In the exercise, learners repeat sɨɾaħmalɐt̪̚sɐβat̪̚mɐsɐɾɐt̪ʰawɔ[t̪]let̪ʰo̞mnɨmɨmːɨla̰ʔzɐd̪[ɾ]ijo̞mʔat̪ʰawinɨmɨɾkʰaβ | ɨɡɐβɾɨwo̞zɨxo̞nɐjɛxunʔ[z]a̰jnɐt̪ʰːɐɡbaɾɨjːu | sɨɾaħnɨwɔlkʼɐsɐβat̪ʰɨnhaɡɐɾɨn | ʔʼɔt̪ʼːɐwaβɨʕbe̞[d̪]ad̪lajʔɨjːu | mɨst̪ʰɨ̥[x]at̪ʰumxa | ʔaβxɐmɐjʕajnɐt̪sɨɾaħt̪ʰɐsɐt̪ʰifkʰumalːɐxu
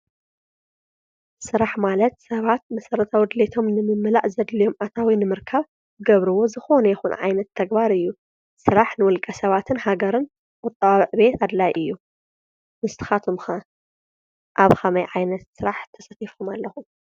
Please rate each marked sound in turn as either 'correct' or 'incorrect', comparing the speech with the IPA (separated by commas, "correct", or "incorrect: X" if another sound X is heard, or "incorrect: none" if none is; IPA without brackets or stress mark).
incorrect: d̪, incorrect: l, incorrect: ʕ, incorrect: t̪, correct